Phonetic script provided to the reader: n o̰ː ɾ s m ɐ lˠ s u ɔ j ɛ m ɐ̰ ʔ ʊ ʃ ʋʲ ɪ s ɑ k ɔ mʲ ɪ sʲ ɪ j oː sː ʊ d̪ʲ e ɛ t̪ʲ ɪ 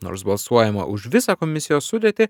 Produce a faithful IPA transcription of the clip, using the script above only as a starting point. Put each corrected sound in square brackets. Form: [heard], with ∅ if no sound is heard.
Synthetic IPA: n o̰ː ɾ s [b] ɐ lˠ s u ɔ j ɛ m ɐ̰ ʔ ʊ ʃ ʋʲ ɪ s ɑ k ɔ mʲ ɪ sʲ ɪ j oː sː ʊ d̪ʲ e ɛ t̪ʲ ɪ